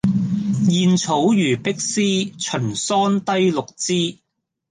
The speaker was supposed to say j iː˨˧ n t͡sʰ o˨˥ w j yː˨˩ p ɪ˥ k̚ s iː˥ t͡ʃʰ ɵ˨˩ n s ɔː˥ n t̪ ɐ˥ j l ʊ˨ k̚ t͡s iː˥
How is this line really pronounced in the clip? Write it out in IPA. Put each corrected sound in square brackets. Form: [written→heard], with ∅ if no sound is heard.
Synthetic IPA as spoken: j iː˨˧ n t͡sʰ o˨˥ w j yː˨˩ p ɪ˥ k̚ s iː˥ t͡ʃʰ ɵ˨˩ n s ɔː˥ n t̪ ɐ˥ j l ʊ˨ k̚ t͡s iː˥